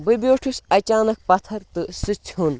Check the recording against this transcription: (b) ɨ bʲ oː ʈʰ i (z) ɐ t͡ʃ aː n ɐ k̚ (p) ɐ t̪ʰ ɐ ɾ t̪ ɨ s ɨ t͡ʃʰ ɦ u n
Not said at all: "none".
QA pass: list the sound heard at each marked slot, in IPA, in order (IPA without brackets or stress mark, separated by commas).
b, s, p